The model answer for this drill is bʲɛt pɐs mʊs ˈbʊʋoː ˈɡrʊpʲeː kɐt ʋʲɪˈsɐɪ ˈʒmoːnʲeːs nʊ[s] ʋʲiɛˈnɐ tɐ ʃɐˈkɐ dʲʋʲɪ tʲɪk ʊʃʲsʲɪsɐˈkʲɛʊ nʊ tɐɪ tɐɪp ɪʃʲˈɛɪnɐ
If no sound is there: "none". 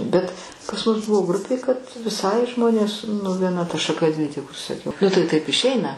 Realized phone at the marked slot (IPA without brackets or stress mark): none